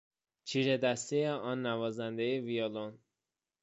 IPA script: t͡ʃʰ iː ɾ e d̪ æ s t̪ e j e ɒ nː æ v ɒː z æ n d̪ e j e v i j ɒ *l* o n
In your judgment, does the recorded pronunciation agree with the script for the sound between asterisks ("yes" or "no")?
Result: yes